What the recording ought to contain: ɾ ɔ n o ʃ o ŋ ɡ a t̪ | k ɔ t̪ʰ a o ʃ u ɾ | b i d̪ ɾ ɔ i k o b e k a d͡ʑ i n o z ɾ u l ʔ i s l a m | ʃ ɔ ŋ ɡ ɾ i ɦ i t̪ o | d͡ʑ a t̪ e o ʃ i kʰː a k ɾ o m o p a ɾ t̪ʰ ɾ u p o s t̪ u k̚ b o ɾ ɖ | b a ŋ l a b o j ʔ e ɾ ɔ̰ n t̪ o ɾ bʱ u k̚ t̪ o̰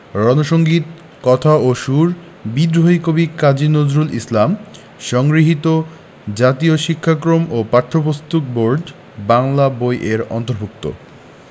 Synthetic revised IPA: ɾ ɔ n o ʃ o ŋ ɡ i t̪ | k ɔ t̪ʰ a o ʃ u ɾ | b i d̪ ɾ o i k o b i k a d͡ʑ i n o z ɾ u l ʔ i s l a m | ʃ ɔ ŋ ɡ ɾ i ɦ i t̪ o | d͡ʑ a t̪ i o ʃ i kʰː a k ɾ o m o p a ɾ t̪ʰ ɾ o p o s t̪ u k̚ b o ɾ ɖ | b a ŋ l a b o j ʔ e ɾ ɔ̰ n t̪ o ɾ bʱ u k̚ t̪ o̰